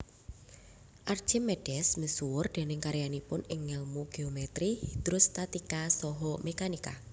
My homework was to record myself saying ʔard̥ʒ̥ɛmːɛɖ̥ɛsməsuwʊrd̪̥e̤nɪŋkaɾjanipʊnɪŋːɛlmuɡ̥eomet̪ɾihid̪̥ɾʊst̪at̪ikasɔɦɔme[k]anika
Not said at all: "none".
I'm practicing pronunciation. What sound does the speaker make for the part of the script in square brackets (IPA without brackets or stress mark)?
k